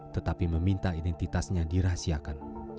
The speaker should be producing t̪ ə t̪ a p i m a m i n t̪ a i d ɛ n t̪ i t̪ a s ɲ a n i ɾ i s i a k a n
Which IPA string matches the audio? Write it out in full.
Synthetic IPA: t̪ ə t̪ a p i m ə m i n t̪ a i d ɛ n t̪ i t̪ a s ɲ a d i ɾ a s i a k a n